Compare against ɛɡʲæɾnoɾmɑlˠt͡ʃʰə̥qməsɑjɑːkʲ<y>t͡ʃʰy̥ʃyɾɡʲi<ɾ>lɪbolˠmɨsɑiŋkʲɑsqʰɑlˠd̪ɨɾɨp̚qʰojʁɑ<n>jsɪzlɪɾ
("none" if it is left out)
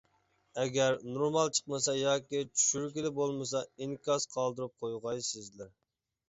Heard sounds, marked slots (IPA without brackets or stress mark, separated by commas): i, none, none